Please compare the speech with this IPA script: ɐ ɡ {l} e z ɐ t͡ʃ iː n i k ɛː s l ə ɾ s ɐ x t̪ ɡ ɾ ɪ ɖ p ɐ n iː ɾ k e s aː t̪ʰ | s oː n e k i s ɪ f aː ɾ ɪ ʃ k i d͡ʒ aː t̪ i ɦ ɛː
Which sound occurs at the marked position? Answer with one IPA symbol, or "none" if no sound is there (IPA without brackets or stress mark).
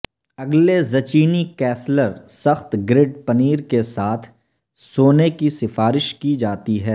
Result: l